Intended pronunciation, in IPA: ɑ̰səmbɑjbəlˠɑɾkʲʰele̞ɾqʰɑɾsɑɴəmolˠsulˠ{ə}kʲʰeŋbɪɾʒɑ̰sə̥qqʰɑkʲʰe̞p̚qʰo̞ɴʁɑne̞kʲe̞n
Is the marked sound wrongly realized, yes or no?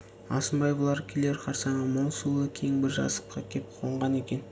no